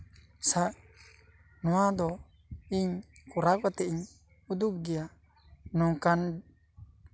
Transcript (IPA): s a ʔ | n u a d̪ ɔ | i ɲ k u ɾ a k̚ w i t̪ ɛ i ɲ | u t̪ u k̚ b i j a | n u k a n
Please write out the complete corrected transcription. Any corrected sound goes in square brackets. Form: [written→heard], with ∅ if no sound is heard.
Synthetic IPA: s a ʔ | n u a d̪ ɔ | i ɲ k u ɾ a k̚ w [i→a] t̪ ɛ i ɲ | u [t̪→d̪] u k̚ [b→ɡ] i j a | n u k a n